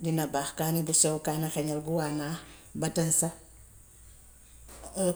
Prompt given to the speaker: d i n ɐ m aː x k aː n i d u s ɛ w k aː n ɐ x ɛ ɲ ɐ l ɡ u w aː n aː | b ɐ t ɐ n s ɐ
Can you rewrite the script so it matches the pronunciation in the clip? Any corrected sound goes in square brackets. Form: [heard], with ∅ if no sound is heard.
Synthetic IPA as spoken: d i n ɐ [b] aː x k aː n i [b] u s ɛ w k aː n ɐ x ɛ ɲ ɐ l ɡ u w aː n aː | b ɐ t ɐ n s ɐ